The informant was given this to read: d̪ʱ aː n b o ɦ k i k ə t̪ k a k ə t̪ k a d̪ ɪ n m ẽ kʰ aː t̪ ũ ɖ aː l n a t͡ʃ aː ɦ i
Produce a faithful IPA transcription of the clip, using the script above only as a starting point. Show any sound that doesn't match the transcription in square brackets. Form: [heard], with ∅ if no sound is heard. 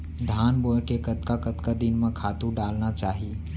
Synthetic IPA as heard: d̪ʱ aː n b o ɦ k [e] k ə t̪ k a k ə t̪ k a d̪ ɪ n m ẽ kʰ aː t̪ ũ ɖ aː l n a t͡ʃ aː ɦ i